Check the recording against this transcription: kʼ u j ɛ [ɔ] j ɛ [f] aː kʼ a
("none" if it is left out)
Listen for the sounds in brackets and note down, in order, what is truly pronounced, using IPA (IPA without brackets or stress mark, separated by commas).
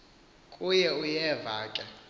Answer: u, v